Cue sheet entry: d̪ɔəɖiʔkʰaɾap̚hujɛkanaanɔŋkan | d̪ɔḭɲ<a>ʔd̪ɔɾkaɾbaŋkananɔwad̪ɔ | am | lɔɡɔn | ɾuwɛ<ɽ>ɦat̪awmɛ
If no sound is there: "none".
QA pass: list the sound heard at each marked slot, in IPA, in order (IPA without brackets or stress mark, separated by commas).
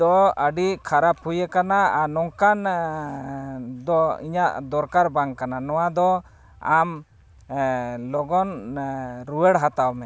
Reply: a, ɽ